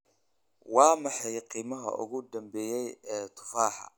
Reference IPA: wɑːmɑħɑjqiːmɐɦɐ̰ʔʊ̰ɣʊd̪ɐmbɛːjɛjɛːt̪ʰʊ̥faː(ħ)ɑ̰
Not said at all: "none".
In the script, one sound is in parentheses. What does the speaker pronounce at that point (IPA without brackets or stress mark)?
ħ